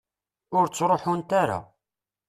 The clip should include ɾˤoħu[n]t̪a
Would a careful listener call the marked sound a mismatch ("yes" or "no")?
no